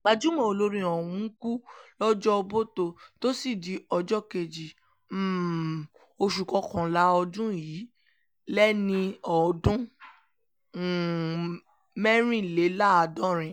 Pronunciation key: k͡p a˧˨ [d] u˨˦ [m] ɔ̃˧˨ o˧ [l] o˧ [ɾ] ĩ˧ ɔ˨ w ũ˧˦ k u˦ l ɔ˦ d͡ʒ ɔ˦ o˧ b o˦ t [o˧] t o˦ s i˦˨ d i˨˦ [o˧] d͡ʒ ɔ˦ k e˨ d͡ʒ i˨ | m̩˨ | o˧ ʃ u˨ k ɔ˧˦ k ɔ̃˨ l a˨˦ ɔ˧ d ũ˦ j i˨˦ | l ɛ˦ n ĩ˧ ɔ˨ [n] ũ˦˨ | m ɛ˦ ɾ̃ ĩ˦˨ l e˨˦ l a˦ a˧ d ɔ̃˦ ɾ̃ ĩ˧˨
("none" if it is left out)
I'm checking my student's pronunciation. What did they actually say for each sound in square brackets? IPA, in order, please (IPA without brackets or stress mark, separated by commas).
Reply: d͡ʒ, m, l, ɾ, o˧, ɔ˧, d